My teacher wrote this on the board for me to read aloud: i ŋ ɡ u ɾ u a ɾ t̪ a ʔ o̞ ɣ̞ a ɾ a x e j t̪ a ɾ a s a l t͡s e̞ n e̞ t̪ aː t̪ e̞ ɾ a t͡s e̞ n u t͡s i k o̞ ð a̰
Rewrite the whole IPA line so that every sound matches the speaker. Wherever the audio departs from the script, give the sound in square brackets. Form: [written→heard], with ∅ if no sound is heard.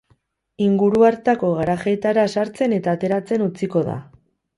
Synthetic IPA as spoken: i ŋ ɡ u ɾ u a ɾ t̪ a [ʔ→k] o̞ ɣ̞ a ɾ a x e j t̪ a ɾ a s a [l→ɾ] t͡s e̞ n e̞ t̪ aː t̪ e̞ ɾ a t͡s e̞ n u t͡s i k o̞ ð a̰